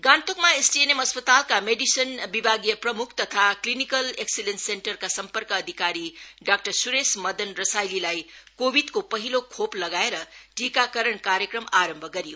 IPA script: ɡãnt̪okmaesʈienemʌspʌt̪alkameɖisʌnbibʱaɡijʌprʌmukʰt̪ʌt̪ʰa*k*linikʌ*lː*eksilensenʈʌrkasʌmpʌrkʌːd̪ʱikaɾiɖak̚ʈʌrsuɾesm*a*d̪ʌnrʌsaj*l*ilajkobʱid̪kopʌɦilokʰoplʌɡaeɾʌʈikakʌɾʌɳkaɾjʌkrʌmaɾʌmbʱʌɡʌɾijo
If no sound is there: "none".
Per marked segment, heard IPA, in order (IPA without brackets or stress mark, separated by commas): k, l, ʌ, l